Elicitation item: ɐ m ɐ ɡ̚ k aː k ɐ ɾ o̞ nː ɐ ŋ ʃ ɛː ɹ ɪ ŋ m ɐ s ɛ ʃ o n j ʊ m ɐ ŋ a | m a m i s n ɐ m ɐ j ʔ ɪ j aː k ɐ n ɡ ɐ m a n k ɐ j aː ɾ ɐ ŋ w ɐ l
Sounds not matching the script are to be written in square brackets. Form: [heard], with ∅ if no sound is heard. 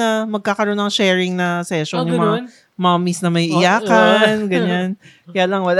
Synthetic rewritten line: ɐ m ɐ ɡ̚ k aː k ɐ ɾ o̞ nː ɐ ŋ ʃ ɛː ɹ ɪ ŋ [n] ɐ s ɛ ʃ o n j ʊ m ɐ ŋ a | m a m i s n ɐ m ɐ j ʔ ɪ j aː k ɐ n ɡ ɐ [ɲ] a n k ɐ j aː [l] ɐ ŋ w ɐ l